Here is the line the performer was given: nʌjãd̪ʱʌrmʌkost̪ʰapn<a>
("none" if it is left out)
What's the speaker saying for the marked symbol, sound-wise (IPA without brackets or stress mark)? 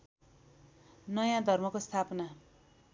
a